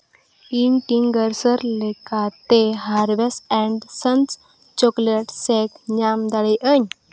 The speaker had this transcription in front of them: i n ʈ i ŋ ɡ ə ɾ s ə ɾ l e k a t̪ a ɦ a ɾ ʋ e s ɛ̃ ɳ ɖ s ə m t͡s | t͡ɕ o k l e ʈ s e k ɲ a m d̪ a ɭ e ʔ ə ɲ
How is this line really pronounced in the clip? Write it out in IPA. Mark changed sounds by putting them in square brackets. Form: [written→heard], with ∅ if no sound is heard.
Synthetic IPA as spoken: i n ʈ i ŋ ɡ ə ɾ s ə ɾ l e k a t̪ [a→e] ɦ a ɾ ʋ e s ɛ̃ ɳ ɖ s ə [m→n] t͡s | t͡ɕ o k l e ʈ s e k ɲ a m d̪ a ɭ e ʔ ə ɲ